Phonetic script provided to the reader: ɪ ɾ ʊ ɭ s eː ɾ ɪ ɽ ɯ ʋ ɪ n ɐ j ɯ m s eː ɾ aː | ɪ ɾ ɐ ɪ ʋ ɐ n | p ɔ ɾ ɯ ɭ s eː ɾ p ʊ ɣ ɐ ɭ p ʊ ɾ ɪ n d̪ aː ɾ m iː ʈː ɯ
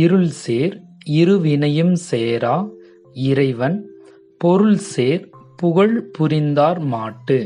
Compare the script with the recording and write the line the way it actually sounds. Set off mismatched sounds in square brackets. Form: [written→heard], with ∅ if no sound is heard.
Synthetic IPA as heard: ɪ ɾ [ʊ→ɯ] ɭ s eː ɾ ɪ [ɽ→ɾ] ɯ ʋ ɪ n ɐ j ɯ m s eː ɾ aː | ɪ ɾ ɐ ɪ ʋ ɐ n | p ɔ ɾ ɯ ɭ s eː ɾ p ʊ ɣ ɐ ɭ p ʊ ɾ ɪ n d̪ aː ɾ m [iː→aː] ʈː ɯ